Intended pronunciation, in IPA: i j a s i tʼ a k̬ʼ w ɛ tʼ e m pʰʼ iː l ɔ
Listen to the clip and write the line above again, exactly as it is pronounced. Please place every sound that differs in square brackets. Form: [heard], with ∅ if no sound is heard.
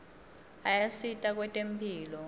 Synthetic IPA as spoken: [a] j a s i tʼ a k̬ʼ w ɛ tʼ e m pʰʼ iː l ɔ